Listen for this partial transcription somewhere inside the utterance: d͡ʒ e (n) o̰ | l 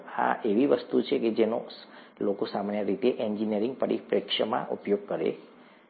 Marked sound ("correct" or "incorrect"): correct